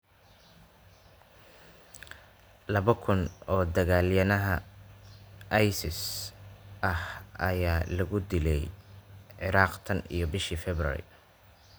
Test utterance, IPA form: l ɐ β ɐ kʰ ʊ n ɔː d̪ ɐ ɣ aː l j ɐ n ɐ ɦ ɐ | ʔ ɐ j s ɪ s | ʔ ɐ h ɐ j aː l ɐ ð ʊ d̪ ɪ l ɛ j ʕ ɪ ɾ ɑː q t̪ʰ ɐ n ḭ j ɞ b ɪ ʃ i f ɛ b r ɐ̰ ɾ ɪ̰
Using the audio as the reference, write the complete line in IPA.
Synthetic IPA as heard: l ɐ β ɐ kʰ ʊ n ɔː d̪ ɐ ɣ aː l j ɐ n ɐ ɦ ɐ | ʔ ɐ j s ɪ s | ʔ ɐ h ɐ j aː l ɐ ɣ ʊ d̪ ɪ l ɛ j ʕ ɪ ɾ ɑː q t̪ʰ ɐ n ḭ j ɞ b ɪ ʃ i f ɛ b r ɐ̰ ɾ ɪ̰